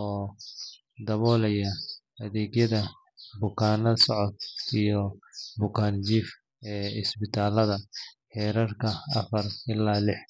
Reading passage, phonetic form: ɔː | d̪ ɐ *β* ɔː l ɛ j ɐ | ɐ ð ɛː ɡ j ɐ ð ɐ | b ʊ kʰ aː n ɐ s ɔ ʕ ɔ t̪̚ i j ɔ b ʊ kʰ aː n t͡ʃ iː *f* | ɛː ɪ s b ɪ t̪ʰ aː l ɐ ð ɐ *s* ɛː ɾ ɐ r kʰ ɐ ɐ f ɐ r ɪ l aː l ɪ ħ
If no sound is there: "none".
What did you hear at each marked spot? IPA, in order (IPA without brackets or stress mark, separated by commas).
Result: β, f, ħ